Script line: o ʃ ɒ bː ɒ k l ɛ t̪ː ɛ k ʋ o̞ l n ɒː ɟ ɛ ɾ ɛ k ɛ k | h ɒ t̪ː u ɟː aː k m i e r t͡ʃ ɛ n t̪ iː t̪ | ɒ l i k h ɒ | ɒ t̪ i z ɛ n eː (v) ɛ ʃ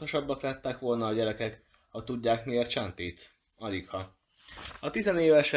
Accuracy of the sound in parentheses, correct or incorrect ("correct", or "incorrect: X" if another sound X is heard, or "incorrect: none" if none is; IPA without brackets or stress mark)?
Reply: correct